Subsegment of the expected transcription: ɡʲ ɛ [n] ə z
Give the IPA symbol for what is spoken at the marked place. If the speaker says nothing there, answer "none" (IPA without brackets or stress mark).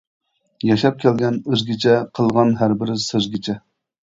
n